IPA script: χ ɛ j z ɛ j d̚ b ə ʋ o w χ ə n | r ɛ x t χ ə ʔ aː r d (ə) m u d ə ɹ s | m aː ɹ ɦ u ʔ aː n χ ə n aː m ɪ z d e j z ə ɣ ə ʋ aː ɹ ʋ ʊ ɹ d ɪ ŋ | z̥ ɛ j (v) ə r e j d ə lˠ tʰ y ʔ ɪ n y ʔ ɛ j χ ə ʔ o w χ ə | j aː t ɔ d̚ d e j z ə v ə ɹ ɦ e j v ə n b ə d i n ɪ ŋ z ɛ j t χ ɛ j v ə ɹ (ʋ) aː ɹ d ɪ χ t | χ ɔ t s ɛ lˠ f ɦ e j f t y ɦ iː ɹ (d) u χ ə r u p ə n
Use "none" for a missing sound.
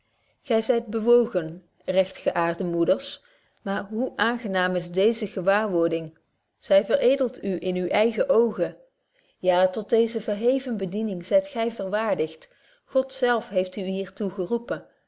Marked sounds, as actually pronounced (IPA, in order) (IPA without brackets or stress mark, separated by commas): ə, v, ʋ, t